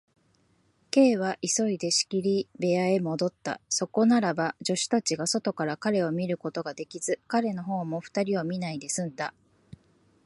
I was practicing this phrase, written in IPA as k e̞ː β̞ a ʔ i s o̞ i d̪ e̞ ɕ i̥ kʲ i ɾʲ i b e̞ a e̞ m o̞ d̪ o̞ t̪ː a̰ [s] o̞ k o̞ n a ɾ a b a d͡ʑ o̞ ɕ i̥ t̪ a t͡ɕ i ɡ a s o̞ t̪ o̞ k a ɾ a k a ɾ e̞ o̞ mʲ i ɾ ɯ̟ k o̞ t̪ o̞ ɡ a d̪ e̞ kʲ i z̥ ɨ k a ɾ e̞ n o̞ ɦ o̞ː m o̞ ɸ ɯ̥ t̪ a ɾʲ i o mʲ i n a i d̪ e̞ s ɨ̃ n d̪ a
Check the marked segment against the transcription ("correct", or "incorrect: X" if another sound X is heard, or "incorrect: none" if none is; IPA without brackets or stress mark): correct